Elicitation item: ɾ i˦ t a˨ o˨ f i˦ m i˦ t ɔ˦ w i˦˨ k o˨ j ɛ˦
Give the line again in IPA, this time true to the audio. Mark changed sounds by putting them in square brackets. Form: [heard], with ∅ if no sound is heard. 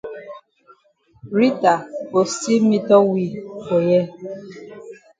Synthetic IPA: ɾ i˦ t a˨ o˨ [s] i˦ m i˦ t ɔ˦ w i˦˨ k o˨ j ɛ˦